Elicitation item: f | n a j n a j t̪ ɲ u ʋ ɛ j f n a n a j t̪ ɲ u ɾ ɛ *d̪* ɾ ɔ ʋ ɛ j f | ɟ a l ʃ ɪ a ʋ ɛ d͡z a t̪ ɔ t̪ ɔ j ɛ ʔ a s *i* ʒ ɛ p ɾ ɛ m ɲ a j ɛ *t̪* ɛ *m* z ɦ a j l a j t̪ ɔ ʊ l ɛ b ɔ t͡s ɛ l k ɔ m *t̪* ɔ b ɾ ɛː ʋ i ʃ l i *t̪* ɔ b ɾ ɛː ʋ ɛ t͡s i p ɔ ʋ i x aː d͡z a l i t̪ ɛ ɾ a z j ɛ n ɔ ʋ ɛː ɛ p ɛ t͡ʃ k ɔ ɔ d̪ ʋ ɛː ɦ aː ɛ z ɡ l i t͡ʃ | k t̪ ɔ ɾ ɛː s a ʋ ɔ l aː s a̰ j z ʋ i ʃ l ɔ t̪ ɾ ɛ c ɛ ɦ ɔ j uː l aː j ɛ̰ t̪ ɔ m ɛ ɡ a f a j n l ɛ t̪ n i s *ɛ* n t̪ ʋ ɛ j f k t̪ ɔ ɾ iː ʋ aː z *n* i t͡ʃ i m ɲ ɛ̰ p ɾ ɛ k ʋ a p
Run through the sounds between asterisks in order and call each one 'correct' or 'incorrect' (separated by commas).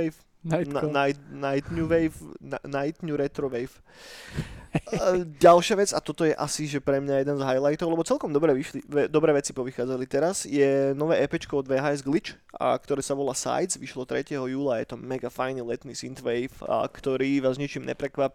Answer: incorrect, correct, incorrect, incorrect, incorrect, incorrect, incorrect, incorrect